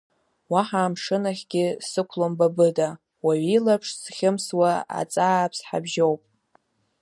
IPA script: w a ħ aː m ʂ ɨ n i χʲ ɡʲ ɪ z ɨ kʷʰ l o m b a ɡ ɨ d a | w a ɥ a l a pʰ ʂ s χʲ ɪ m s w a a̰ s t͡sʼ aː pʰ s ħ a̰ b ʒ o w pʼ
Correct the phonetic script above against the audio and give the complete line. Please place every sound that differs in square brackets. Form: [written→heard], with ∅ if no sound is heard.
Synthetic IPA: w a ħ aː m ʂ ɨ n [i→a] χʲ ɡʲ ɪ [z→s] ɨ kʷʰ l o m b a [ɡ→b] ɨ d a | w a ɥ [a→i] l a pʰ ʂ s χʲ ɪ m s w a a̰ [s→∅] t͡sʼ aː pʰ s ħ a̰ b ʒ o w pʼ